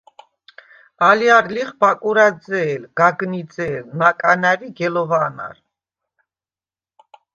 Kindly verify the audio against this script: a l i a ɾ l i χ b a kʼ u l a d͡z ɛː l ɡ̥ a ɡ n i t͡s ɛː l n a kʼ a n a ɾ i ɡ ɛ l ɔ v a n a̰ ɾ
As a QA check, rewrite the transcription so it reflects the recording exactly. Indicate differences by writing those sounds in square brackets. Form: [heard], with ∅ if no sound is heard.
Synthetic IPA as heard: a l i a ɾ l i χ b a kʼ u [ɾ] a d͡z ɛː l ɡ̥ a ɡ n i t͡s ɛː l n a kʼ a n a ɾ i ɡ ɛ l ɔ v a n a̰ ɾ